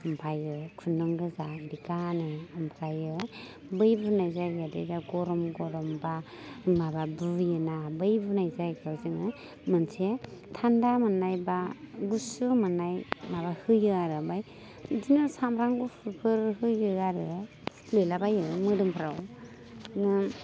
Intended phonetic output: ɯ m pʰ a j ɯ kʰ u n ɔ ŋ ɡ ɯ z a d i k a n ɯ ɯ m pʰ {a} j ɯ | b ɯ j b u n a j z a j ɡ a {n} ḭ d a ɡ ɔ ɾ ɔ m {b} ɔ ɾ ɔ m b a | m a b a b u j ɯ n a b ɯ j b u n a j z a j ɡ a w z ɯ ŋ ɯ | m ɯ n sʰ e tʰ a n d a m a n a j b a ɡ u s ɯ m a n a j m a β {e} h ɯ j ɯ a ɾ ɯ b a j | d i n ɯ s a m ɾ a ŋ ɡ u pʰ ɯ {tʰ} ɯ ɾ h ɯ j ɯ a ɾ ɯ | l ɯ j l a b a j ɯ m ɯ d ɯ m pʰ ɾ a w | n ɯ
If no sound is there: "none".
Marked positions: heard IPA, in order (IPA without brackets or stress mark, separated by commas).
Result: a, d, ɡ, a, pʰ